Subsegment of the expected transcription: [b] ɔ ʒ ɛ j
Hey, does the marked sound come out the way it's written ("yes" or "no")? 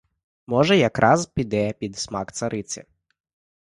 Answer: no